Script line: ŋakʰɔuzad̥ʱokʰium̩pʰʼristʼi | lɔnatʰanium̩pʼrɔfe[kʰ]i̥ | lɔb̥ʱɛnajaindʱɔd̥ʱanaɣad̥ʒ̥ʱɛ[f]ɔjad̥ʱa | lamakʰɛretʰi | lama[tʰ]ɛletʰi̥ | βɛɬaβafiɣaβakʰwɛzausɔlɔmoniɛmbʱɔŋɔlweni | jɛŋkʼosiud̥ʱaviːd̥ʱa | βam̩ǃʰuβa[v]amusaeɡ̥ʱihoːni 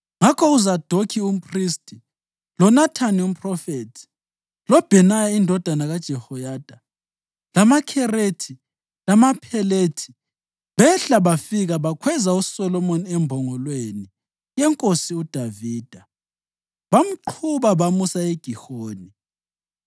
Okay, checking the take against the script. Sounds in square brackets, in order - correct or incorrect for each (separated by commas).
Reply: incorrect, incorrect, incorrect, incorrect